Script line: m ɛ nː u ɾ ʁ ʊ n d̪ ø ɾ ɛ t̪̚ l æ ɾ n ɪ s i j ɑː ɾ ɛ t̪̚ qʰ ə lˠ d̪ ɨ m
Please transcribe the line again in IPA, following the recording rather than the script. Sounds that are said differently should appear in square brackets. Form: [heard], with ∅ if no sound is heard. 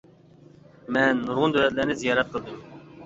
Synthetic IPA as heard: m ɛ nː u ɾ ʁ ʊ n d̪ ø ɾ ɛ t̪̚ l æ ɾ n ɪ [z] i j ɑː ɾ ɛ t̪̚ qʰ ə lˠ d̪ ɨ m